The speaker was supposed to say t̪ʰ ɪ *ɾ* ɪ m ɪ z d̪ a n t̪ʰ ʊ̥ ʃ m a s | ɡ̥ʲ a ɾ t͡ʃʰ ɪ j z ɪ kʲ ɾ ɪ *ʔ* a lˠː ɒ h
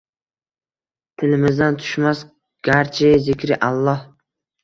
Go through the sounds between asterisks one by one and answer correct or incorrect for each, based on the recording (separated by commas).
incorrect, correct